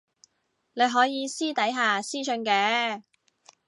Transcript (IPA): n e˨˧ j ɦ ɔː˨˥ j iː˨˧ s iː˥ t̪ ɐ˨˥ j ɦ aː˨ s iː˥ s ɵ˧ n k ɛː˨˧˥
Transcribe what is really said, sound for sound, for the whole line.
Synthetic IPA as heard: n e˨˧ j ɦ ɔː˨˥ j iː˨˧ s iː˥ t̪ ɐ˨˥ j ɦ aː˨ s iː˥ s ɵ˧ n k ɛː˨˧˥